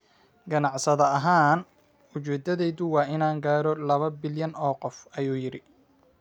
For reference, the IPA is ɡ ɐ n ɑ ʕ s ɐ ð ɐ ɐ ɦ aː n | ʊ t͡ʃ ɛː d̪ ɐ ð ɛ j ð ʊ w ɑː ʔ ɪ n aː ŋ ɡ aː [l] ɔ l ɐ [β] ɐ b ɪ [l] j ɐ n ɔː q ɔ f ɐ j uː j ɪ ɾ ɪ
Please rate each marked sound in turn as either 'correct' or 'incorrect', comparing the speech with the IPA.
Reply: incorrect, correct, correct

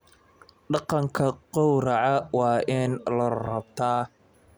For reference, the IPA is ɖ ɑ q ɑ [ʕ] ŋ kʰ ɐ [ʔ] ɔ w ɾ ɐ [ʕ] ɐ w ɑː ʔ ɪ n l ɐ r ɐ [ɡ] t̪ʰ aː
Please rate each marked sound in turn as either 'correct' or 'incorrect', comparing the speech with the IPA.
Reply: incorrect, incorrect, correct, incorrect

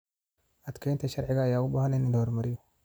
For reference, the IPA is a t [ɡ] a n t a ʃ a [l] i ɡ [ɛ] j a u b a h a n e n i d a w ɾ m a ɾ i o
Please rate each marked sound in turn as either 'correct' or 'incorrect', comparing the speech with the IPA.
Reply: incorrect, incorrect, incorrect

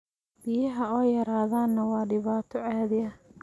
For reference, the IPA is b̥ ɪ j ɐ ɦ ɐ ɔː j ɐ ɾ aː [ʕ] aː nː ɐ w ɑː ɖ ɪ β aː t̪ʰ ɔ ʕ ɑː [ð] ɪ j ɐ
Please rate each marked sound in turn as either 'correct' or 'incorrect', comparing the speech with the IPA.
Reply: incorrect, correct

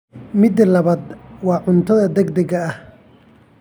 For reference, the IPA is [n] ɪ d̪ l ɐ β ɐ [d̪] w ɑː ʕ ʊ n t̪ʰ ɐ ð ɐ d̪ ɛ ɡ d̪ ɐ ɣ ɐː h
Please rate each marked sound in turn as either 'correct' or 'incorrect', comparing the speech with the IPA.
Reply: incorrect, correct

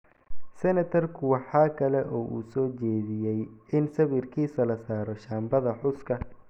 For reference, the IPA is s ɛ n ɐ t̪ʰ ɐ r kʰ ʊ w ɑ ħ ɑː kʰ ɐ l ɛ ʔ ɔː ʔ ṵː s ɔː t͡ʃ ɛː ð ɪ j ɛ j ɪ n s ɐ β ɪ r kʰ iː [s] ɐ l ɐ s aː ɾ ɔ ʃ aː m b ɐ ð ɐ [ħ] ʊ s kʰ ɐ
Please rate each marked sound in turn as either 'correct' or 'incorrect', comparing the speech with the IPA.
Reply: correct, correct

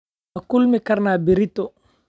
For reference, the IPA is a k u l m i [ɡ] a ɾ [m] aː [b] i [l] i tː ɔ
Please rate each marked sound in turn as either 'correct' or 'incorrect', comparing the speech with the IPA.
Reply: incorrect, incorrect, correct, incorrect

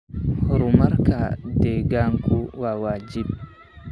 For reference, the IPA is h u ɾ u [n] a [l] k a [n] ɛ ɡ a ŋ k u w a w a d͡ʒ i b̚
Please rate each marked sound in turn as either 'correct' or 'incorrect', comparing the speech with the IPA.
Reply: incorrect, incorrect, incorrect

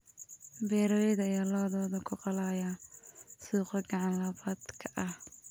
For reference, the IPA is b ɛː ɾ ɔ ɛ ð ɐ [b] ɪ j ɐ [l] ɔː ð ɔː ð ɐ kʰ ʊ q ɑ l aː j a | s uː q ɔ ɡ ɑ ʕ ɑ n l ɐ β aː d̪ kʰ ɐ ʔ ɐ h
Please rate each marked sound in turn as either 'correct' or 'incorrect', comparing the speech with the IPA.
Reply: incorrect, correct

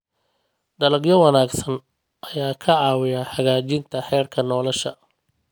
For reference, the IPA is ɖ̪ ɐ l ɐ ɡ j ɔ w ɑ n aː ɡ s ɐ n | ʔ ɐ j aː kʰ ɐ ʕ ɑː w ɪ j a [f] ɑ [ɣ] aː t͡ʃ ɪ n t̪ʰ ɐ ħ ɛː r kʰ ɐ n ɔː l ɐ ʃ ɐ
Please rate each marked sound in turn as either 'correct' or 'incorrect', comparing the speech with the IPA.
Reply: incorrect, correct

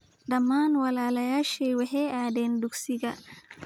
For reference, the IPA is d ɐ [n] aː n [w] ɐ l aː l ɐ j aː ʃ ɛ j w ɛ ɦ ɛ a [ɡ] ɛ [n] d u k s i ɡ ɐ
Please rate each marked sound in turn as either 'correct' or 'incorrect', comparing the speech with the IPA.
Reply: incorrect, correct, incorrect, correct

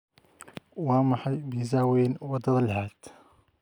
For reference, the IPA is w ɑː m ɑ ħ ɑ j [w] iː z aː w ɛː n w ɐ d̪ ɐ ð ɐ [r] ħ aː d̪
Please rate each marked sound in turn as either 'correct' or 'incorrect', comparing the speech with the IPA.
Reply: incorrect, incorrect

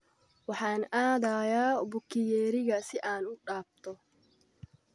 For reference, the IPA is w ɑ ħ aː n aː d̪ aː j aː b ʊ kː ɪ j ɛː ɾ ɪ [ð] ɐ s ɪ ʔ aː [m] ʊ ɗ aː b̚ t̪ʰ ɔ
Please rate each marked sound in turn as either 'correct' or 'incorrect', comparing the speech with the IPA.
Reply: incorrect, incorrect

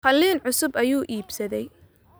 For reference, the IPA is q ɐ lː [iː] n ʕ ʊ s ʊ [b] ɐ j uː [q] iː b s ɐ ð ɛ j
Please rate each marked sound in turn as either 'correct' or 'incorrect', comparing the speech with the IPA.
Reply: correct, correct, incorrect

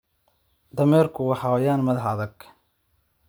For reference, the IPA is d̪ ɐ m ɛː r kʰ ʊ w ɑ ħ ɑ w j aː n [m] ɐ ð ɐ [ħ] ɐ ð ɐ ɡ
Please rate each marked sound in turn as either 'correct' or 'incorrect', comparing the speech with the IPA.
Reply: correct, correct

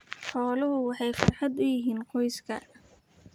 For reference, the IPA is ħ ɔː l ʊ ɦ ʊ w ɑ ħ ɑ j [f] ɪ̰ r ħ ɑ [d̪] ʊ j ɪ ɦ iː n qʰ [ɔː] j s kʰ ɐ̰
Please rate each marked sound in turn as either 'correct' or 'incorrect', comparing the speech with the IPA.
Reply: correct, correct, incorrect

